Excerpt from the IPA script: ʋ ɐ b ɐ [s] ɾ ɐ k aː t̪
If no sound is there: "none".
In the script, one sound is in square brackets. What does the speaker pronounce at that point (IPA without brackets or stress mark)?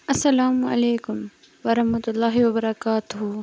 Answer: none